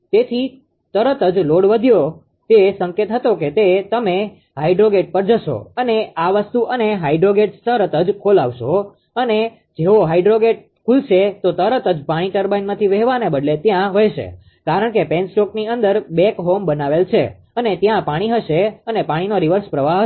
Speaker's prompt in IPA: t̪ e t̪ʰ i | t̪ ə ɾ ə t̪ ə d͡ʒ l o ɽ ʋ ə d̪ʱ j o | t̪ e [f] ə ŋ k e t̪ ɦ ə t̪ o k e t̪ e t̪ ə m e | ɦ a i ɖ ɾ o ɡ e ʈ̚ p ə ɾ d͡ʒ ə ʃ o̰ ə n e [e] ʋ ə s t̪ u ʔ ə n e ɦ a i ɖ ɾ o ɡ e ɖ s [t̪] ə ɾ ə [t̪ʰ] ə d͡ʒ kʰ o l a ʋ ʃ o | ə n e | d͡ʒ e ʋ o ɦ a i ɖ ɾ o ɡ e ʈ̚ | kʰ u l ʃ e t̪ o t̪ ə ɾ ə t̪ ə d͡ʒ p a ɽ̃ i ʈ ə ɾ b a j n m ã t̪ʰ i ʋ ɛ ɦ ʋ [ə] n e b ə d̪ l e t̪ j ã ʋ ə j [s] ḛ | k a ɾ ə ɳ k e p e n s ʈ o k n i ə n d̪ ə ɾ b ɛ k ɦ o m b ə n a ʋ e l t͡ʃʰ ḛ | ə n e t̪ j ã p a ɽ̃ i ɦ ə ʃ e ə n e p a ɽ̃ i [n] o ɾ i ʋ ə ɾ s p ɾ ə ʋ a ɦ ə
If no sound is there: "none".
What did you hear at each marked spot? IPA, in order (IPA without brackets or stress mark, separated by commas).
s, a, t̪, t̪, a, ʃ, n